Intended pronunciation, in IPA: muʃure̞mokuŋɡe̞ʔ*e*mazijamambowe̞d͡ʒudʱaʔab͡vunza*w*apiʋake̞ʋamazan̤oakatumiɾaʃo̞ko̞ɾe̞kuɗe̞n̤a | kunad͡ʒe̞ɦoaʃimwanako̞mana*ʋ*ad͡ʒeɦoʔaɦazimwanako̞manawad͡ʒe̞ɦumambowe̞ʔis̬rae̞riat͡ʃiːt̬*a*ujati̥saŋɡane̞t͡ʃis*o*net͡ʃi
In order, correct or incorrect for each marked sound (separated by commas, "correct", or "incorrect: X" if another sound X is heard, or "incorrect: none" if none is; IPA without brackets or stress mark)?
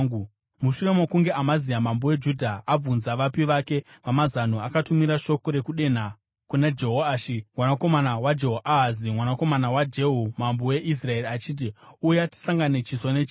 incorrect: a, incorrect: ʋ, incorrect: w, incorrect: i, correct